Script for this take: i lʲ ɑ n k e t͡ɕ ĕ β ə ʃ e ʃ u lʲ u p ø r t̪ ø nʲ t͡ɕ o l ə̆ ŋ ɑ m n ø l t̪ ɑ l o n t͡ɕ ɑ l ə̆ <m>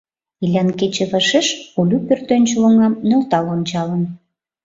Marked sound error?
yes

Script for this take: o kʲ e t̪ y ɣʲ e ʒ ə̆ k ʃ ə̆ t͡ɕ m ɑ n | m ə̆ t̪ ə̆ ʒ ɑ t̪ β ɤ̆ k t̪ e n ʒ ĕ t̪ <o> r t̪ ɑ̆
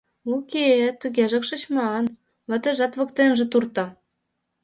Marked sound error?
yes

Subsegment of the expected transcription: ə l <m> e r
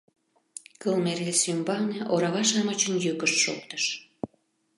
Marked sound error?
no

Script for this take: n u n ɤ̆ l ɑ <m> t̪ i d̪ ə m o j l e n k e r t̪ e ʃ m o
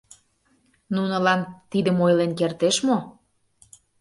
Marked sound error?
yes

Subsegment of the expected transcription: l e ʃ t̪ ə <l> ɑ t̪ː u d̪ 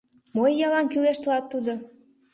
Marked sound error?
no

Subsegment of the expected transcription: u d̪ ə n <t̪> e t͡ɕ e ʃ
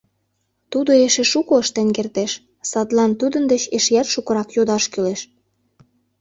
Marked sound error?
yes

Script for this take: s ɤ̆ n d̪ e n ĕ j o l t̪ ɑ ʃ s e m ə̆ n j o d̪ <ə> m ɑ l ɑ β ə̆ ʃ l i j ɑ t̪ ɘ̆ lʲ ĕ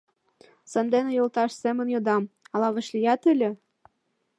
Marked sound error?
yes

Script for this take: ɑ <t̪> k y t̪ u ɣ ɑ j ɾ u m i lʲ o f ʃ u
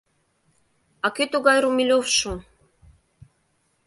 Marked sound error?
yes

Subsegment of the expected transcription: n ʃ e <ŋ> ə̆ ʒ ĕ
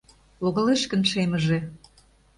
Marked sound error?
yes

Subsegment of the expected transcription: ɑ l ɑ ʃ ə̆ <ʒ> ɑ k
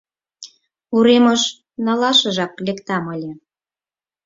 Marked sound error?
no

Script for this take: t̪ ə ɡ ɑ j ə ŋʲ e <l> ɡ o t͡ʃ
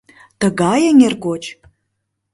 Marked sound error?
yes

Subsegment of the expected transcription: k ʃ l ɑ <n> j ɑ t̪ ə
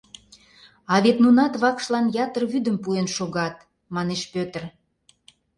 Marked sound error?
no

